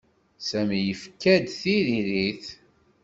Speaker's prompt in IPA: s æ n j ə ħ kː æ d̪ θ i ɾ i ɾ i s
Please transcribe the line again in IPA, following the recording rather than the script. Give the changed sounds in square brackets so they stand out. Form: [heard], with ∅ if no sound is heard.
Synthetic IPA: s æ [m] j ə [f] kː æ d̪ θ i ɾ i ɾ i [θ]